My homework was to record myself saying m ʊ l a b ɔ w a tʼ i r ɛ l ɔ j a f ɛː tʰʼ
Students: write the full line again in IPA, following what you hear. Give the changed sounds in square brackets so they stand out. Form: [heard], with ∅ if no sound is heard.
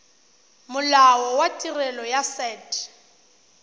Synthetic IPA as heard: m ʊ l a [w] ɔ w a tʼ i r ɛ l ɔ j a [s] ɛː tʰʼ